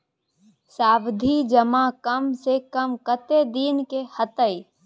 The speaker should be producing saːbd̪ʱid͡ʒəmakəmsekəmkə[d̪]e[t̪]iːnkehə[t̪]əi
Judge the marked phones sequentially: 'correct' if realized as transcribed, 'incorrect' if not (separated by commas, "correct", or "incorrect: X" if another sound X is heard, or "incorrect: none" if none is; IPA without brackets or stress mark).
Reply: incorrect: t̪, incorrect: d̪, correct